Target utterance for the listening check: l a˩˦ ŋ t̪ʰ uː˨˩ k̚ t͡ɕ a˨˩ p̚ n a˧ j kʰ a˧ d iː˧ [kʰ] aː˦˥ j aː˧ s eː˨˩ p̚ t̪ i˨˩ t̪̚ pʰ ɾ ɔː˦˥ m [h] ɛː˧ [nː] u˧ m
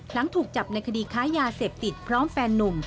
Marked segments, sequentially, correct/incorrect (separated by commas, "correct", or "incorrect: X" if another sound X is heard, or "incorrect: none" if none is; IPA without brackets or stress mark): correct, incorrect: f, correct